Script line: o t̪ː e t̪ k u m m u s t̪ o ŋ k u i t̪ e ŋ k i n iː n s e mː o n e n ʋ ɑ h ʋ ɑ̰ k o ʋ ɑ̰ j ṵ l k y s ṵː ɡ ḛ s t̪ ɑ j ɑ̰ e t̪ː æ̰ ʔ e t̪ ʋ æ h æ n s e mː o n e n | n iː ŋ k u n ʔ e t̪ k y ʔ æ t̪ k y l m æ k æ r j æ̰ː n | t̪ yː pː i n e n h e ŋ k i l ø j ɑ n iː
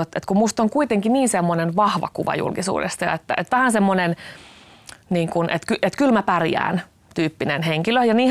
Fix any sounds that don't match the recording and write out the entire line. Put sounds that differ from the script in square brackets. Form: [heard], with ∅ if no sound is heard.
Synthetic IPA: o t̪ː e t̪ k u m m u s t̪ o ŋ k u i t̪ e ŋ k i n iː n s e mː o n e n ʋ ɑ h ʋ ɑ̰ k [u] ʋ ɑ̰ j ṵ l k [i] s ṵː [d] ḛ s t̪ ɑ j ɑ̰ e t̪ː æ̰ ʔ e t̪ ʋ æ h æ n s e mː o n e n | n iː ŋ k u n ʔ e t̪ k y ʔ [e] t̪ k y l m æ [p] æ r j æ̰ː n | t̪ yː pː i n e n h e ŋ k i l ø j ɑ n iː